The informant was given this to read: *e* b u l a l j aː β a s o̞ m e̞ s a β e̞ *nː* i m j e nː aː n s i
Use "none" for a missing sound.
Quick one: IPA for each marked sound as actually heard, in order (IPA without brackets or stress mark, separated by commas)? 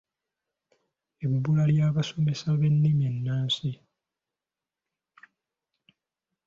e, nː